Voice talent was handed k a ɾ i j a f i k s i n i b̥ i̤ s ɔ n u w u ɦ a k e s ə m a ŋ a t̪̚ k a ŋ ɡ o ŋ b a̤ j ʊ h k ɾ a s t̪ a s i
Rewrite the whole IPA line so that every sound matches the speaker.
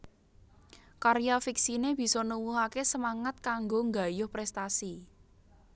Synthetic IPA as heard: k a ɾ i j a f i k s i n e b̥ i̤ s ɔ n u w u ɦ a k e s ə m a ŋ a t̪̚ k a ŋ ɡ o ŋ ɡ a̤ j ʊ h p ɾ ɛ s t̪ a s i